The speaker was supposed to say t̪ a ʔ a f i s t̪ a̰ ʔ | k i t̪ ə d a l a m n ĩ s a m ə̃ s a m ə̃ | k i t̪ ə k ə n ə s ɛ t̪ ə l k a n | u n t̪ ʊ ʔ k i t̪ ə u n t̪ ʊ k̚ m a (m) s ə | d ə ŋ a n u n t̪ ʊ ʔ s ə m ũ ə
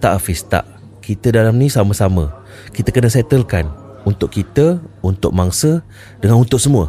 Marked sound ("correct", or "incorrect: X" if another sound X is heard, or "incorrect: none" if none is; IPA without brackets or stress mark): incorrect: ŋ